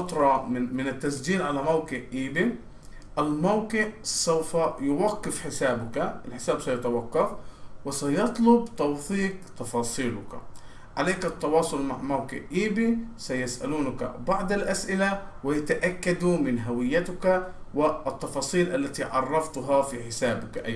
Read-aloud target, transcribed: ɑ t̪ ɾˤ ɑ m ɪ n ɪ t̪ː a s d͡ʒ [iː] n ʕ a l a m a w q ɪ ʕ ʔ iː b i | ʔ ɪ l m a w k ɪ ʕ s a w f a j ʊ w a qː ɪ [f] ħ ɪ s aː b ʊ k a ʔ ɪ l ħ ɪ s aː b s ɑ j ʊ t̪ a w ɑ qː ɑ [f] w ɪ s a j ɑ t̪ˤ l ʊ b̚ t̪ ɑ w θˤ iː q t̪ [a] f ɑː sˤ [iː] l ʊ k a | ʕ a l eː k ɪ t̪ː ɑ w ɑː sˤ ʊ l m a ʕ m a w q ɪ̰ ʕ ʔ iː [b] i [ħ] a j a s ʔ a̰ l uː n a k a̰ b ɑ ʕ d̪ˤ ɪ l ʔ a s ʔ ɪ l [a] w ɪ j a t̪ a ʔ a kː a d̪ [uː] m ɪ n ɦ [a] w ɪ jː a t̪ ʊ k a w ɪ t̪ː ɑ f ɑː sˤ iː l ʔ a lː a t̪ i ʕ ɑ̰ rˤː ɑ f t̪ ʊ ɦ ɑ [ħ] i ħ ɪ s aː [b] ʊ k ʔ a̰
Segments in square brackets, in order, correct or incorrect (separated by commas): correct, correct, correct, incorrect, correct, correct, incorrect, correct, incorrect, correct, incorrect, correct